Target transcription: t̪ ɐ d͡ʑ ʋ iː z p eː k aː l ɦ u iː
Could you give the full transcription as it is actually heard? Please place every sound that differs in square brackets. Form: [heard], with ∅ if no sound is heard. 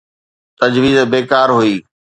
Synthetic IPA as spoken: t̪ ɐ d͡ʑ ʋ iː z [b] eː k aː [ɾ] ɦ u iː